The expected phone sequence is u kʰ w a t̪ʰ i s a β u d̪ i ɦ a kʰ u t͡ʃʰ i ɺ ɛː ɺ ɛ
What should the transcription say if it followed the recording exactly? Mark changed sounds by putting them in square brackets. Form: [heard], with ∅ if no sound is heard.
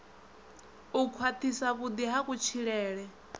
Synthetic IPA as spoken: u kʰ w a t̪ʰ i s a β u d̪ i ɦ a [k] u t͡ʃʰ i ɺ ɛː ɺ ɛ

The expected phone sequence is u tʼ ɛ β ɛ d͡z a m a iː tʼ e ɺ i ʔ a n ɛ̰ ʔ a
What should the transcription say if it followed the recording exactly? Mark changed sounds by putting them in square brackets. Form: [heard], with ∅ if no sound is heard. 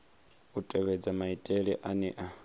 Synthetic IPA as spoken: u tʼ ɛ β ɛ d͡z a m a [i] tʼ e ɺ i ʔ a n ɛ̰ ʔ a

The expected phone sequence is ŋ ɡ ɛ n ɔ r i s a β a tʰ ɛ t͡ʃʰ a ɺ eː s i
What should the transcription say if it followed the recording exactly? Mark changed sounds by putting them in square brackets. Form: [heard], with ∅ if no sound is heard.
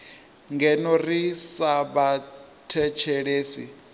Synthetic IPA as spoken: ŋ ɡ ɛ n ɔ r i s a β a tʰ ɛ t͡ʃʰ [ɛ] ɺ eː s i

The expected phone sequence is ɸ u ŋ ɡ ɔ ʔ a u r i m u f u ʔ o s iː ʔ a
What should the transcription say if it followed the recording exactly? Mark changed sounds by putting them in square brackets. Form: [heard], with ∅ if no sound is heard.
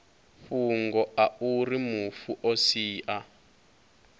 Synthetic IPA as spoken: ɸ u ŋ ɡ ɔ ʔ a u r i m u f u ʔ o s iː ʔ a

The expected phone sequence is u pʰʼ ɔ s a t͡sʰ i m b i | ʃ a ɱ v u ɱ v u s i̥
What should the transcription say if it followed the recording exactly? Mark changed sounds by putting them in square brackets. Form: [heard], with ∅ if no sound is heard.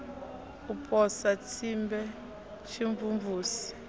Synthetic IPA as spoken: u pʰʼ ɔ s a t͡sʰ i m b [ɛ] | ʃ [i] ɱ v u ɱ v [uː] s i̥

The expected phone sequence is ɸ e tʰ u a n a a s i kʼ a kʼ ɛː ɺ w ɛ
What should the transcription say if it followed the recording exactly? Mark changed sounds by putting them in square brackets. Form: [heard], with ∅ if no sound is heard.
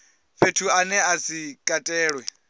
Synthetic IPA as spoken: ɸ e tʰ u a n [ɛ] a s i kʼ a [tʼ] ɛː ɺ w ɛ

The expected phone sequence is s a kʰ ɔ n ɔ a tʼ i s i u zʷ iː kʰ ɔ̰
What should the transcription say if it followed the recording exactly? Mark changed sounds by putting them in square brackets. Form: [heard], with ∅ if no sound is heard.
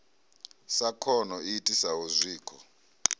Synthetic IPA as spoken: s a kʰ ɔ n ɔ [i] tʼ i s [a] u zʷ iː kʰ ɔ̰

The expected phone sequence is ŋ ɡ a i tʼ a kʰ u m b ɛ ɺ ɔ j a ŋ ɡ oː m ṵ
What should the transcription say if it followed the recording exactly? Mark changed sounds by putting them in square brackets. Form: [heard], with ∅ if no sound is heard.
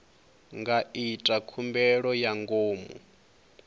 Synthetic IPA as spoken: ŋ ɡ a i tʼ a kʰ u m b ɛ ɺ ɔ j a ŋ ɡ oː m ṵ

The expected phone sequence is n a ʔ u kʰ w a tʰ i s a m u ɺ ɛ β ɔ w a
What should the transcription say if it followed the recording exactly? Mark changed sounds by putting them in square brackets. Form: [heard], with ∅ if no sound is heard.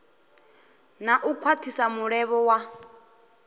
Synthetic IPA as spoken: n a ʔ u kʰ w a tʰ i s a m u ɺ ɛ β ɔ w a

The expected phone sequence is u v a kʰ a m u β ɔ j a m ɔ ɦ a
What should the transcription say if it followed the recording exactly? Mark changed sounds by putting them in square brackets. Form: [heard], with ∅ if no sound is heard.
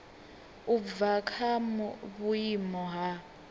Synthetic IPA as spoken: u v a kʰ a m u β [u] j [i] m ɔ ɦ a

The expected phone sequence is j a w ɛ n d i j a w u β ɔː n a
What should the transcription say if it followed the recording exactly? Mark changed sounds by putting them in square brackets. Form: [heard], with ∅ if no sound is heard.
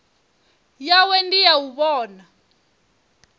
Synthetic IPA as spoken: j a w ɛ n d i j a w u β ɔː n a

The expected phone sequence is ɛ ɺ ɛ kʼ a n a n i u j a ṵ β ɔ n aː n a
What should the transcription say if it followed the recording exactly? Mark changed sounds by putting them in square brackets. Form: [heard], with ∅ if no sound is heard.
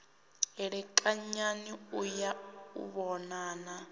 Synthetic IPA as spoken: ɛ ɺ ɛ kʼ a [ɲ] a n i u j a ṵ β ɔ n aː n a

